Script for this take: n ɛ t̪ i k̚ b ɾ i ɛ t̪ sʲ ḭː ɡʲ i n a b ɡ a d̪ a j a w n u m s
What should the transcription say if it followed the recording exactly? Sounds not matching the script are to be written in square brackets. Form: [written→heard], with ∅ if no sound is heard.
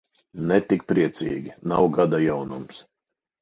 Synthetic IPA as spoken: n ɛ t̪ i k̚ [b→p] ɾ i ɛ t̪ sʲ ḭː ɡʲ i n a [b→w] ɡ a d̪ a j a w n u m s